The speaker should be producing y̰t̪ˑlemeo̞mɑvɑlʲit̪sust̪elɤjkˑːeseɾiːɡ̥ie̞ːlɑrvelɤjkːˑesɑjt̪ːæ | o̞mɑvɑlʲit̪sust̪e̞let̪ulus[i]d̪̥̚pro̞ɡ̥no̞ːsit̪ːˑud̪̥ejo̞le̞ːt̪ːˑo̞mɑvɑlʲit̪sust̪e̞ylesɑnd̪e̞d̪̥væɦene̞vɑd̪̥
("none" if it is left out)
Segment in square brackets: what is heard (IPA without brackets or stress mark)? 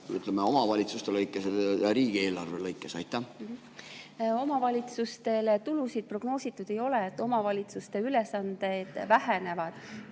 i